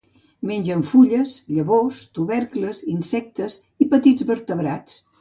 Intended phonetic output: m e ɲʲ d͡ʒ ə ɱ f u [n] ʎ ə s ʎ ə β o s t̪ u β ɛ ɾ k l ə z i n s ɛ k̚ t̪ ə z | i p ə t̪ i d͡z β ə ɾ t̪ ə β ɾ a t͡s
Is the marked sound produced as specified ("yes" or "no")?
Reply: no